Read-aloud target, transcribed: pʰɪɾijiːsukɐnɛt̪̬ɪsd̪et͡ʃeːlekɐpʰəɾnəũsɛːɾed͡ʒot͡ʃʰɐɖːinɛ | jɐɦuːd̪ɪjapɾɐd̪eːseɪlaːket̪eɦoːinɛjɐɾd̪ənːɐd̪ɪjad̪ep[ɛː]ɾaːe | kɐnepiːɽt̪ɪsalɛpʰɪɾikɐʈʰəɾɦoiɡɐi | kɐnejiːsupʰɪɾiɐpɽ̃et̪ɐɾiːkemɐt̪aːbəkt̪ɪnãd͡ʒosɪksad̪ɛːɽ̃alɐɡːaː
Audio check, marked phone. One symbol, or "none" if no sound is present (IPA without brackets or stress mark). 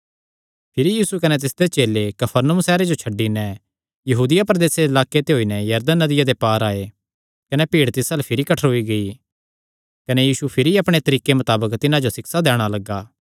aː